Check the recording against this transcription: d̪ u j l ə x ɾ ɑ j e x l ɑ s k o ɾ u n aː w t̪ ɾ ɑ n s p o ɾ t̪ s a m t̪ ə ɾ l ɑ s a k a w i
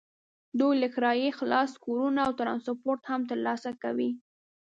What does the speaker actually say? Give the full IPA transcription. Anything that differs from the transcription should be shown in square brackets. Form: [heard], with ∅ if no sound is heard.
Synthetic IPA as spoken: d̪ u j l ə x ɾ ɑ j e x l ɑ s k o ɾ u n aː w t̪ ɾ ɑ n s p o ɾ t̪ [h] a m t̪ ə ɾ l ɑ s a k a w i